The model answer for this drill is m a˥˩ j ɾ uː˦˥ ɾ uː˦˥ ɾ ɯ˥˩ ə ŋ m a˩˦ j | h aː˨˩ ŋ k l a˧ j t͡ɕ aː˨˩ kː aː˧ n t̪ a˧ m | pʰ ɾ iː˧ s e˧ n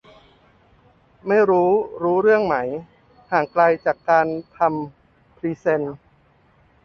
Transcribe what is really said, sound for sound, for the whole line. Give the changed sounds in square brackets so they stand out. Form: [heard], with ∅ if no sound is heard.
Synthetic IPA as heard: m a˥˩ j ɾ uː˦˥ ɾ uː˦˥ ɾ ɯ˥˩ ə ŋ m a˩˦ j | h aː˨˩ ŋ k l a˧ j t͡ɕ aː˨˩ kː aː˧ n [t̪ʰ] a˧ m | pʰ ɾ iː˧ s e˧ n